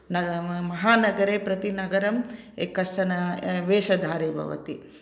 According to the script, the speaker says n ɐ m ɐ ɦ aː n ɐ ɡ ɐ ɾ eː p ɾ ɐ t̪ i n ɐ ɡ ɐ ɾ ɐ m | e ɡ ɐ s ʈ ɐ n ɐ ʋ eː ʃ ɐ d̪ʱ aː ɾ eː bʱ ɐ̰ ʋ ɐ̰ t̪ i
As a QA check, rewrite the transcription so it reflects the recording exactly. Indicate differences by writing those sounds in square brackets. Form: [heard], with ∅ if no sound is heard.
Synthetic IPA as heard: n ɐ m ɐ ɦ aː n ɐ ɡ ɐ ɾ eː p ɾ ɐ t̪ i n ɐ ɡ ɐ ɾ ɐ m | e [k] ɐ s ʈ ɐ n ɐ ʋ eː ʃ ɐ d̪ʱ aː ɾ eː bʱ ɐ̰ ʋ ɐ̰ t̪ i